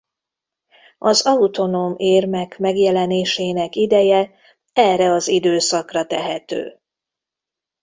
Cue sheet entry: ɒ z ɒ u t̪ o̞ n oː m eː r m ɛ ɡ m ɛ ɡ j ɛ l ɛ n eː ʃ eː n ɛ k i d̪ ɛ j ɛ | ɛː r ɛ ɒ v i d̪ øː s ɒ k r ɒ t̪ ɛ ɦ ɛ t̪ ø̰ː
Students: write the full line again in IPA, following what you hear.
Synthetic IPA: ɒ z ɒ u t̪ o̞ n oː m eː r m ɛ k m ɛ ɡ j ɛ l ɛ n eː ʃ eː n ɛ k i d̪ ɛ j ɛ | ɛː r ɛ ɒ z i d̪ øː s ɒ k r ɒ t̪ ɛ ɦ ɛ t̪ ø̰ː